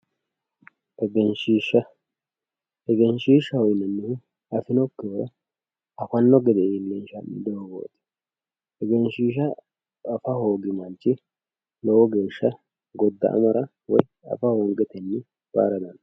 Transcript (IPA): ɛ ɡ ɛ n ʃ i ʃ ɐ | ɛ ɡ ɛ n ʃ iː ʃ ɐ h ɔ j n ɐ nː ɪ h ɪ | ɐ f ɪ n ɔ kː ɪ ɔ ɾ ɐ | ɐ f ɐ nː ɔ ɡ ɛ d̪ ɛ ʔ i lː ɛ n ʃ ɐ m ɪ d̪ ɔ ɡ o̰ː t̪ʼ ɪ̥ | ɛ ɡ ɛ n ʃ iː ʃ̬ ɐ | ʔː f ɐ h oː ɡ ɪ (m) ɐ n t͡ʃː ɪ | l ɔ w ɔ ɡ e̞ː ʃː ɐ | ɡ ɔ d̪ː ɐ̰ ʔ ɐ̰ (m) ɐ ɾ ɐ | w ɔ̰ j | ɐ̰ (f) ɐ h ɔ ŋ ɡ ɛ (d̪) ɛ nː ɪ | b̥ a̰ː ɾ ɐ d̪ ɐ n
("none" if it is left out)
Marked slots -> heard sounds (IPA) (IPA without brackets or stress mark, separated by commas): m, m, f, t̪